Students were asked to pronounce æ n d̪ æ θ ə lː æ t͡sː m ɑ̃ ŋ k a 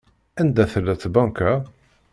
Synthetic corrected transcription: æ n d̪ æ θ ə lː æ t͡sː b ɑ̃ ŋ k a